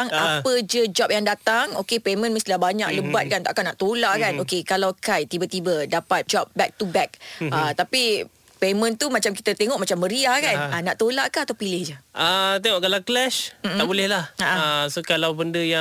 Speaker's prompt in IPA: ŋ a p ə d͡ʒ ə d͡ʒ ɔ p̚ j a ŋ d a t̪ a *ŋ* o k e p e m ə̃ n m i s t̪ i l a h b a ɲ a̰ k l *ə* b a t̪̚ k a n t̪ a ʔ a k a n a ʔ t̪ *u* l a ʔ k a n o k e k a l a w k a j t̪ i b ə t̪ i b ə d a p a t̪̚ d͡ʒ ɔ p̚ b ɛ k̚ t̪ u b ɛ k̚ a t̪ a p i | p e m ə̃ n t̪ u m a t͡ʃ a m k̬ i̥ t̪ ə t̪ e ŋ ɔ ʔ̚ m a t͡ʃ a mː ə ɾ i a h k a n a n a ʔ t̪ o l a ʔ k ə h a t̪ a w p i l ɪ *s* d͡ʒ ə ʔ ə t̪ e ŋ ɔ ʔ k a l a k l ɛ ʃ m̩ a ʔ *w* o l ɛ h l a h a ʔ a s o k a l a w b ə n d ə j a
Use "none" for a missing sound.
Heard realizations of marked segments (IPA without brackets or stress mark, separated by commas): ŋ, ə, o, h, b